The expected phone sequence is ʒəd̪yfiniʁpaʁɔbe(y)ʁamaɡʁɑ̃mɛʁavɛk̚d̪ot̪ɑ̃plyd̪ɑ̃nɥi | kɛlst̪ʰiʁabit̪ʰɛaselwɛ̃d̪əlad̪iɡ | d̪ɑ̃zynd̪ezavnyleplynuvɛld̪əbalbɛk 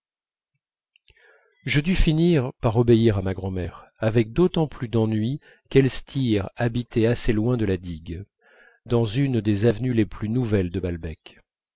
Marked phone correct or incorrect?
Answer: incorrect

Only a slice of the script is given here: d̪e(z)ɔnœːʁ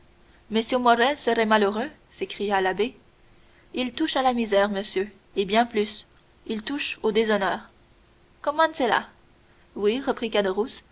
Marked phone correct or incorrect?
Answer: correct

